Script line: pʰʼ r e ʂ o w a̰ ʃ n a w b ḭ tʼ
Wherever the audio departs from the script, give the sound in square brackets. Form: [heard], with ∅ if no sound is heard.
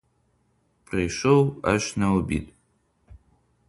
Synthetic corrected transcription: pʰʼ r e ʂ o w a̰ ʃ n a w b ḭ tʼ